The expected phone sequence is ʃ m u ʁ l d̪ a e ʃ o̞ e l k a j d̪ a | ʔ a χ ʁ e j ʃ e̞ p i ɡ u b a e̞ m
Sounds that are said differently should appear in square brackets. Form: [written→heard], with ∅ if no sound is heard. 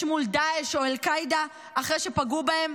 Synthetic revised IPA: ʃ m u [ʁ→∅] l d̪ a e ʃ o̞ e l k a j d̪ a | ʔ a χ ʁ e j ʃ e̞ p [i→a] ɡ u b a e̞ m

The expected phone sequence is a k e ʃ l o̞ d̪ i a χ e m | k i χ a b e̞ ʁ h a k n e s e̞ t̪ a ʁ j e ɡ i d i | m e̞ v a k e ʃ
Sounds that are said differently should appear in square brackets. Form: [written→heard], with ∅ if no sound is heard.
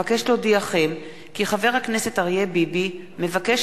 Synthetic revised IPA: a k e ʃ l o̞ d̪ i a χ e m | k i χ a [b→v] e̞ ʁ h a k n e s e̞ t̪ a ʁ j e [ɡ→b] i [d→b] i | m e̞ v a k e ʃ

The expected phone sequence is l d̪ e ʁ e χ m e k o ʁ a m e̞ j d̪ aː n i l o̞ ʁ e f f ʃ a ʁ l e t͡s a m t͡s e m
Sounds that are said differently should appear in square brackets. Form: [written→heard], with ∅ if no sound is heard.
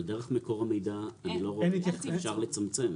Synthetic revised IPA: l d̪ e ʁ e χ m e k o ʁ a m e̞ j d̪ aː n i l o̞ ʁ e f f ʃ a ʁ l e t͡s a m t͡s e m

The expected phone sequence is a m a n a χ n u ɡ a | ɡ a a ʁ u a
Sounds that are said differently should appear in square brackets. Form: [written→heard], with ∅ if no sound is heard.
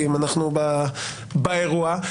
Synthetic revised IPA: [a→i] m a n a χ n u [ɡ→b] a | [ɡ→b] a [a→e] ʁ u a

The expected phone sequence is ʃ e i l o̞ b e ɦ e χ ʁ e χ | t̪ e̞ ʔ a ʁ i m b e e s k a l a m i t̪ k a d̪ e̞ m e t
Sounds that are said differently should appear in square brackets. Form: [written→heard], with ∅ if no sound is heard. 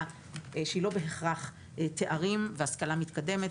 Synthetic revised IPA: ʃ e i l o̞ b e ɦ e χ ʁ [e→a] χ | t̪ e̞ ʔ a ʁ i m [b→v] e [e→a] s k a l a m i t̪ k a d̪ e̞ m e t

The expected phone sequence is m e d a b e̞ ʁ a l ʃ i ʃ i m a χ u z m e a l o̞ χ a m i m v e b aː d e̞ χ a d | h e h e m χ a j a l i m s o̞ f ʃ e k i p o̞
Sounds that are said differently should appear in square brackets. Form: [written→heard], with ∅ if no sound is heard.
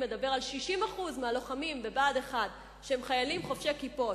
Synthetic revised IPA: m e d a b e̞ ʁ a l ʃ i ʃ i m a χ u z m e a l o̞ χ a m i m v e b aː d e̞ χ a d | [h→ʃ] e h e m χ a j a l i m [s→χ] o̞ f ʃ e k i p o̞

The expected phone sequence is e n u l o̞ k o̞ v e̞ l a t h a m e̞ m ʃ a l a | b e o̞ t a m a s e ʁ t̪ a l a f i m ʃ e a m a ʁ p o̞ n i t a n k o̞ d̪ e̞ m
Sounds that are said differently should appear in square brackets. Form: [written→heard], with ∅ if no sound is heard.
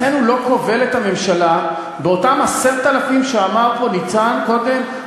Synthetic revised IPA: e n u l o̞ k o̞ v e̞ l [a→e] t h a m e̞ m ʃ a l a | b e o̞ t a m a s e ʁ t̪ a l a f i m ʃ e a m a ʁ p o̞ n i [t→t͡s] a n k o̞ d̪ e̞ m

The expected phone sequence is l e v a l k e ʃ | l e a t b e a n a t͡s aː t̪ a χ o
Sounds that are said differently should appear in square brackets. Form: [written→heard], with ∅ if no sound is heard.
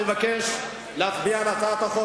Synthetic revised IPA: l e v a [l→∅] k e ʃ | l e a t b [e→i] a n a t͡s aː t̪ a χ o

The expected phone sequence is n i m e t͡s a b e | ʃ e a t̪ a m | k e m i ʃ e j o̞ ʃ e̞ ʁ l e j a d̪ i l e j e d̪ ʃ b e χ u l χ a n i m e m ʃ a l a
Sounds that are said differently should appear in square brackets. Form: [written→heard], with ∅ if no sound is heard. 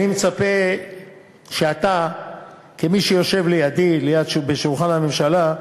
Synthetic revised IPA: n i m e t͡s a [b→p] e | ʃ e a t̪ a [m→∅] | k e m i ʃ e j o̞ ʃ e̞ [ʁ→v] l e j a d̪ i l e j [e→a] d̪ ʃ b e [χ→ʃ] u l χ a n [i→a] m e m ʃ a l a

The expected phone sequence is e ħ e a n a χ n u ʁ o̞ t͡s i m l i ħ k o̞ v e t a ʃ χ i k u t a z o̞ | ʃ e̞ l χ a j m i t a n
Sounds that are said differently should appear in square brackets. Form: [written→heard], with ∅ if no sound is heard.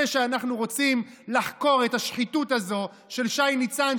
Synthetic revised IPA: e [ħ→ʃ] e a n a χ n u ʁ o̞ t͡s i m l [i→a] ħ k o̞ [v→ʁ] e t a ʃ χ i [k→t] u t a z o̞ | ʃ e̞ l [χ→ʃ] a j [m→n] i [t→t͡s] a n

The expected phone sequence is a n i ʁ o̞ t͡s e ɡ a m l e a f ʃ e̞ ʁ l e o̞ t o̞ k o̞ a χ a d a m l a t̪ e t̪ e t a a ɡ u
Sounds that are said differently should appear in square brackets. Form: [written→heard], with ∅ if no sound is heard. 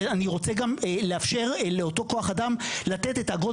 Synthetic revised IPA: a n i ʁ o̞ t͡s e ɡ a m l e a f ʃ e̞ ʁ l e o̞ t o̞ k o̞ a χ a d a m l a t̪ e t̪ e t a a ɡ [u→o]

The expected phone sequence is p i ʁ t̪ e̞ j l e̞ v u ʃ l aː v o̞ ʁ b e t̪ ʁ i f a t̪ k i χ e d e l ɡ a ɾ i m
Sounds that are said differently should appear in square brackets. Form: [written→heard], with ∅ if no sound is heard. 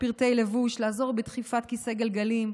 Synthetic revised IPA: p i ʁ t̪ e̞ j l e̞ v u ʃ l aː [v→z] o̞ ʁ b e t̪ [ʁ→χ] i f a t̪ k i [χ→s] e [d→ɡ] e l ɡ a [ɾ→l] i m

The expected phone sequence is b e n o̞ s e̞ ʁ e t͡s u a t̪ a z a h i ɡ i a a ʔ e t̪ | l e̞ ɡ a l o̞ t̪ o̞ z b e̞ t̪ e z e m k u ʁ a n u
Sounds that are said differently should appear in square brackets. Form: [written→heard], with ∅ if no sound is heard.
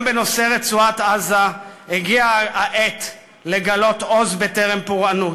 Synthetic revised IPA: b e n o̞ s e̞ ʁ e t͡s u a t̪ a z a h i ɡ i a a ʔ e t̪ | l e̞ ɡ a l o̞ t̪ o̞ z b e̞ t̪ e [z→ʁ] e m [k→p] u ʁ a n u

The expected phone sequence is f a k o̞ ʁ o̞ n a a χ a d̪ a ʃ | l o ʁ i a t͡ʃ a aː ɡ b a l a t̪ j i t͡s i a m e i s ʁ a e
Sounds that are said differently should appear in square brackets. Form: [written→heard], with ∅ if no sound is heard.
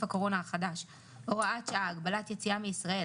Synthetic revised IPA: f a k o̞ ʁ o̞ n a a χ a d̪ a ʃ | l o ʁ [i→a] a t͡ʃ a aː ɡ b a l a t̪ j [i→e] t͡s i a m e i s ʁ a e

